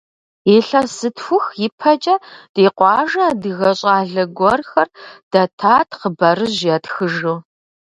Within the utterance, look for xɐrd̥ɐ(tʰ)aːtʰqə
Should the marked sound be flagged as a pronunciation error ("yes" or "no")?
no